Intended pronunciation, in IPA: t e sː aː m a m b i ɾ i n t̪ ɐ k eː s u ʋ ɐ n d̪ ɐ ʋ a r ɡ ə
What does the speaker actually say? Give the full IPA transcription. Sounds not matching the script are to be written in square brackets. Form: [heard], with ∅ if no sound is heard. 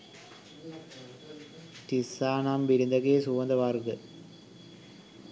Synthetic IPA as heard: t [i] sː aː [n] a m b i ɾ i n [d̪] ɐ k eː s u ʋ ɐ n d̪ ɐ ʋ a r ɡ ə